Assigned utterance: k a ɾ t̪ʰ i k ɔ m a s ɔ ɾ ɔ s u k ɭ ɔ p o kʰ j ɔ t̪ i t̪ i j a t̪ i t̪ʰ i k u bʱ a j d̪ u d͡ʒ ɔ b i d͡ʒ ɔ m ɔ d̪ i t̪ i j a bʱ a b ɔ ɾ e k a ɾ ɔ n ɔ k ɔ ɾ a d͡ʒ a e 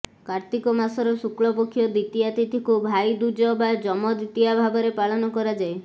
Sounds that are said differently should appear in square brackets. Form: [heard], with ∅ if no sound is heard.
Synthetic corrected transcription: k a ɾ [t̪] i k ɔ m a s ɔ ɾ ɔ s u k ɭ ɔ p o kʰ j ɔ [d̪] i t̪ i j a t̪ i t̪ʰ i k u bʱ a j d̪ u d͡ʒ ɔ b [a] d͡ʒ ɔ m ɔ d̪ i t̪ i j a bʱ a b ɔ ɾ e [p] a [ɭ] ɔ n ɔ k ɔ ɾ a d͡ʒ a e